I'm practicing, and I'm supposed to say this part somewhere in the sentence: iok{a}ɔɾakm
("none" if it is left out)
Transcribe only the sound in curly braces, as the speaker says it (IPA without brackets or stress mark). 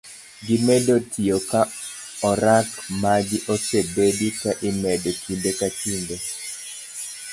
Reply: a